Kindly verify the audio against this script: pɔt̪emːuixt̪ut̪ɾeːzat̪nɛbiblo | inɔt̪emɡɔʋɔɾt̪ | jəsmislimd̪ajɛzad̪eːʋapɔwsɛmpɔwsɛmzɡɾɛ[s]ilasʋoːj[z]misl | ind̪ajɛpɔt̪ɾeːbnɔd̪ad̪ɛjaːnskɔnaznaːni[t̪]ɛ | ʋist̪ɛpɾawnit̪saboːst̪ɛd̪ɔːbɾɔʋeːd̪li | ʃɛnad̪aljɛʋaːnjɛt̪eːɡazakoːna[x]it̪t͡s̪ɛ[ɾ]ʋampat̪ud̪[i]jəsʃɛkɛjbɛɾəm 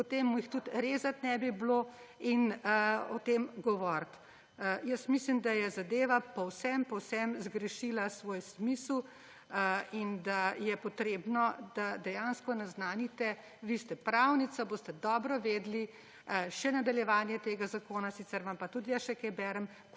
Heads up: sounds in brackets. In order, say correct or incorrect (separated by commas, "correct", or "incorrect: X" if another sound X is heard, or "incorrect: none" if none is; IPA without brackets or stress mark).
incorrect: ʃ, incorrect: s, correct, incorrect: s, correct, correct